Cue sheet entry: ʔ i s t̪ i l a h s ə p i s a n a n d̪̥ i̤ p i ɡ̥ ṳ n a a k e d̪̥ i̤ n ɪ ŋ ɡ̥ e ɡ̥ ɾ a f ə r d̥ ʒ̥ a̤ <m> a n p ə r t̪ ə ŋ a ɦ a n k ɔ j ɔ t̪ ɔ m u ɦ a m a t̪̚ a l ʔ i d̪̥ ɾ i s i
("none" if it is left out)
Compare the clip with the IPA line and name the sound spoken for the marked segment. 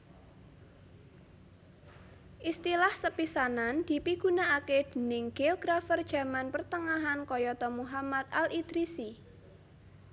m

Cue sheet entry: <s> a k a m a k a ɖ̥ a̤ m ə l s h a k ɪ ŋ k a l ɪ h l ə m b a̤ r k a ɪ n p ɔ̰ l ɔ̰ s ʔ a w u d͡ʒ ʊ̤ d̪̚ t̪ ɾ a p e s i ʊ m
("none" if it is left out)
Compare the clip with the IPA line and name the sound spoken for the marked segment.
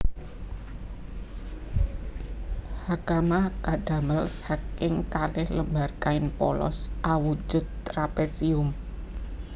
h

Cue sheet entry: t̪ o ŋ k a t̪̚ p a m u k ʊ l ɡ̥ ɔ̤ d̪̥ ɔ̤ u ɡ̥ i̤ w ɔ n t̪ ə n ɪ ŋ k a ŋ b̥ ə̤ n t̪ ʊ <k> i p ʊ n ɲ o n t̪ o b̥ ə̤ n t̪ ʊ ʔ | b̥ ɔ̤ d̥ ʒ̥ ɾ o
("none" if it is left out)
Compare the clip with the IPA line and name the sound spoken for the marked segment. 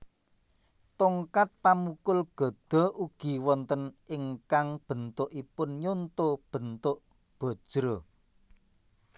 ʔ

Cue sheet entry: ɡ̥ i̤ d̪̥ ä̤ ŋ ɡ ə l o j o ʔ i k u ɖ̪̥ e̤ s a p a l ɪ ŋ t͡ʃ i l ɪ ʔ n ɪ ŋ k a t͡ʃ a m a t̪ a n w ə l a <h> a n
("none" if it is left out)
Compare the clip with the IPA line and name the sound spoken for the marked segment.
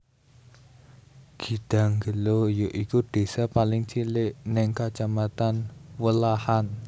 h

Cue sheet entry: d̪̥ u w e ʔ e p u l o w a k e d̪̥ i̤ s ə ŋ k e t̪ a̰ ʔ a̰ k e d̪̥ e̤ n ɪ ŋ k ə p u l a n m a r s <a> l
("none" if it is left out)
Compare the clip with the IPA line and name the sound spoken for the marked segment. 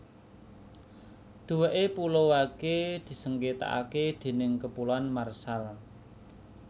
a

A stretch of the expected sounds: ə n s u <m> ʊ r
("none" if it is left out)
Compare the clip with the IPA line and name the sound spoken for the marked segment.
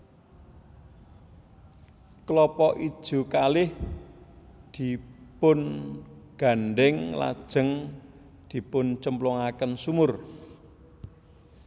m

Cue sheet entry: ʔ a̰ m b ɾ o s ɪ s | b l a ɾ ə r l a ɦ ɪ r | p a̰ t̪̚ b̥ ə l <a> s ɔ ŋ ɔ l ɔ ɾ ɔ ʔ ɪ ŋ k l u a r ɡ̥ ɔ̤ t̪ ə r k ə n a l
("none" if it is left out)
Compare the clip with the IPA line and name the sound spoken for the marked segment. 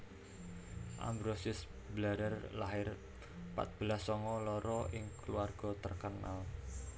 a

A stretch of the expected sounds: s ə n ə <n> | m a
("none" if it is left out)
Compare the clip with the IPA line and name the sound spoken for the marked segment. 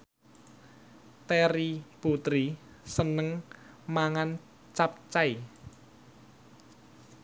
ŋ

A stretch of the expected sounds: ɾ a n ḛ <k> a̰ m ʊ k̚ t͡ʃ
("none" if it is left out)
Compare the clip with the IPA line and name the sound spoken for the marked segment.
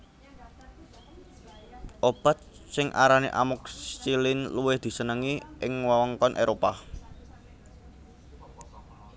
ʔ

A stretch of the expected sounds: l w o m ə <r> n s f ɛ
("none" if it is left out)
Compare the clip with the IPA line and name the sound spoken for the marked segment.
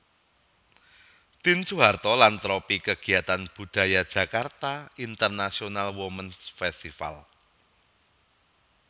none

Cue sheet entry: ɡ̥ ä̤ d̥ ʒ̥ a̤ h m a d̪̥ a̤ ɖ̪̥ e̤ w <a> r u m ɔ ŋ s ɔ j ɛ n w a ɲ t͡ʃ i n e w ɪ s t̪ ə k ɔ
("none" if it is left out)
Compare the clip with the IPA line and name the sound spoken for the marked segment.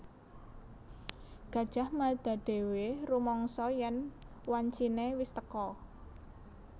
e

